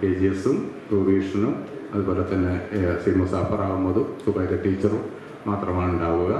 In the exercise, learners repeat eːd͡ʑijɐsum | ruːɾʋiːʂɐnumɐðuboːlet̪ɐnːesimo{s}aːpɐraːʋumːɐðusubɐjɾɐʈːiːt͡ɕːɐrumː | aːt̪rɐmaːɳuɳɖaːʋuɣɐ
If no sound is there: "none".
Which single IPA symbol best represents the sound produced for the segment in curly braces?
s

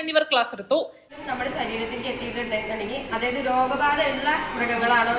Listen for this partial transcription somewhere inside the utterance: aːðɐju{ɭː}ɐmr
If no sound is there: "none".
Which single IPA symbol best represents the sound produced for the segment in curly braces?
ɭː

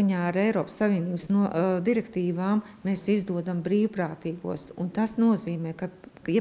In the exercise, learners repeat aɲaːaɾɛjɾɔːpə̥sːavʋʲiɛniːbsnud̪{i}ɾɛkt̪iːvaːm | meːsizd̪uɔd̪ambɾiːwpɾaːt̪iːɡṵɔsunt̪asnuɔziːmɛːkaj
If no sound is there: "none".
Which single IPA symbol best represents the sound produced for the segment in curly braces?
i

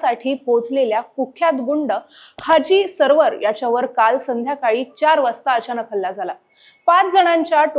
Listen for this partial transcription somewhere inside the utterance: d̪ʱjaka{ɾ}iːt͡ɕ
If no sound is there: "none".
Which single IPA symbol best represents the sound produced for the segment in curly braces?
ɭ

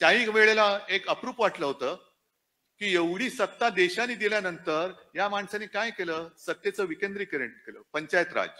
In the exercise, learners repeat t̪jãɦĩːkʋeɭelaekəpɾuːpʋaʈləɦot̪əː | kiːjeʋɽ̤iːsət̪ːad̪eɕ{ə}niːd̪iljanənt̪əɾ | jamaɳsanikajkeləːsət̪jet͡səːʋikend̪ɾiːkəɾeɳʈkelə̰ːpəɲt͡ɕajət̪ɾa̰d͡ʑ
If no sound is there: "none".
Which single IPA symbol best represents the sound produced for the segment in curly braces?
a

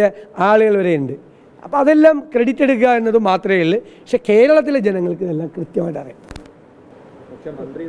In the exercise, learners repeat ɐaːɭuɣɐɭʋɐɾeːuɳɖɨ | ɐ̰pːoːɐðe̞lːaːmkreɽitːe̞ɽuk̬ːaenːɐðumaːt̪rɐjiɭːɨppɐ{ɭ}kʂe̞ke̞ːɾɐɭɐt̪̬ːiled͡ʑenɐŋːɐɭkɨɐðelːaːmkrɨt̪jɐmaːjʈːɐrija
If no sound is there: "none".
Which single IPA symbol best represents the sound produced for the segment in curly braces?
none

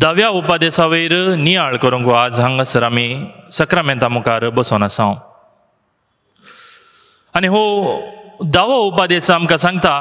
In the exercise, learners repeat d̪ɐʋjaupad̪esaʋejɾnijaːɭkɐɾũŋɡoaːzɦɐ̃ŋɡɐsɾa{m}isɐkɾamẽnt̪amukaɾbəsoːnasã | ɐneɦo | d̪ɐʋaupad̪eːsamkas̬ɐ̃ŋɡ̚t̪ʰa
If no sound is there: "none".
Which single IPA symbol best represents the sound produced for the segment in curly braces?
m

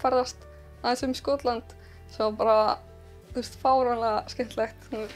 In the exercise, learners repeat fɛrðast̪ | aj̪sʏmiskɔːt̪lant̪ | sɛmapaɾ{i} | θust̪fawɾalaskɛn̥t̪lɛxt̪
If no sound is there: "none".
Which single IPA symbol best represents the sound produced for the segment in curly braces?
a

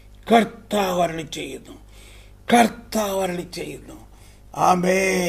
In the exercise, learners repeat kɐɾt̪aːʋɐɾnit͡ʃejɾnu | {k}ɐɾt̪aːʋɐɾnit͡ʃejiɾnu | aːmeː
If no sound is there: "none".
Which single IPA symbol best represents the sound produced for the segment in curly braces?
k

